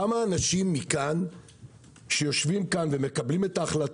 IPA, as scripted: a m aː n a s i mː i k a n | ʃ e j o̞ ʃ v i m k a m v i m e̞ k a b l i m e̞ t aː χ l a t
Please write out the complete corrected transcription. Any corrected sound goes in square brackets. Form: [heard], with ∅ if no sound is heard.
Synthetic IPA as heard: a m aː n a [ʃ] i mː i k a n | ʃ e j o̞ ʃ v i m k a [n] v [e] m e̞ k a b l i m e̞ t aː χ l a t